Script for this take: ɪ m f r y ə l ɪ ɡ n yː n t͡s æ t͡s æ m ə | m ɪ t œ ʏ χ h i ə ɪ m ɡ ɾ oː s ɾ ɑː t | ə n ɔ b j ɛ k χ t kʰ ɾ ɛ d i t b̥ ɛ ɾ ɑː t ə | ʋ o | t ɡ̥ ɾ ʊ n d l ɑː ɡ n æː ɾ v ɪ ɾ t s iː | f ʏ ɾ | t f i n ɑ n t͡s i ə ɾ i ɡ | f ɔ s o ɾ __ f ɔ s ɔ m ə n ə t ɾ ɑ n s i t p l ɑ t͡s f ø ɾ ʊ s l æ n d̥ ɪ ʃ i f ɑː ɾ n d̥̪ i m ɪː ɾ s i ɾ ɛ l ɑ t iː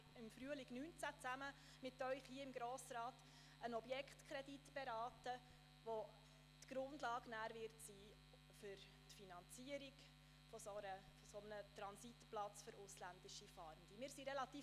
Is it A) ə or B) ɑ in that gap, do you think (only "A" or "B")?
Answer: A